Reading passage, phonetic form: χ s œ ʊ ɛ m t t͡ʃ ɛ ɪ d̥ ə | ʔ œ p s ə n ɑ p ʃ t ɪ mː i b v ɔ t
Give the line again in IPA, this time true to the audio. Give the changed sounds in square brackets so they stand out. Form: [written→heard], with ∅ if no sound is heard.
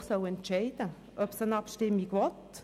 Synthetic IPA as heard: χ s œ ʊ ɛ [m→n] t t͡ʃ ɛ ɪ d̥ ə | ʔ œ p s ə n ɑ p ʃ t ɪ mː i [b→ɡ] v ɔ t